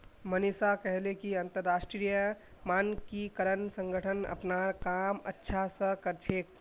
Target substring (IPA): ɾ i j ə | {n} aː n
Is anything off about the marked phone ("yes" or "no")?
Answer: yes